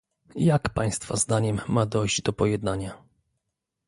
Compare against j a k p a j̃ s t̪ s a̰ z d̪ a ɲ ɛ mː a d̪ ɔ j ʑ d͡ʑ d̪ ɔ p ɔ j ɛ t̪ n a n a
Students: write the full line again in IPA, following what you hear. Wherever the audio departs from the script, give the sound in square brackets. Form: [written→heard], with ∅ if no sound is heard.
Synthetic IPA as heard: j a k p a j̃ s t̪ [s→f] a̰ z d̪ a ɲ ɛ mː a d̪ ɔ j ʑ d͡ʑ d̪ ɔ p ɔ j ɛ [t̪→d̪] n a [n→ɲ] a